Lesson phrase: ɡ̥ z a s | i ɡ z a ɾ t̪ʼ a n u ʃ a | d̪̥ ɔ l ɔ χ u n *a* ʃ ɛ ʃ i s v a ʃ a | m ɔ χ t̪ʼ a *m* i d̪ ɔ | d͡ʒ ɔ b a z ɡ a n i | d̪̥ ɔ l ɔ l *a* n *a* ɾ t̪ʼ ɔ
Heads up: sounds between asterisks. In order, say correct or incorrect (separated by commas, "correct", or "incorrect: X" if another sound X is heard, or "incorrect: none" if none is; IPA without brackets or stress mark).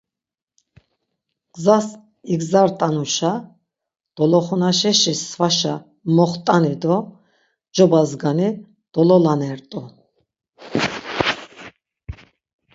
correct, incorrect: n, correct, incorrect: ɛ